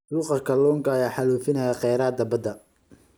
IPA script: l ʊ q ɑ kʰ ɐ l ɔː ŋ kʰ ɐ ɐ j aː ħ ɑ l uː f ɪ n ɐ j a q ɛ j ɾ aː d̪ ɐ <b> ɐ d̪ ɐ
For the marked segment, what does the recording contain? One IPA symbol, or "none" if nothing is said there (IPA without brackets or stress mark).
b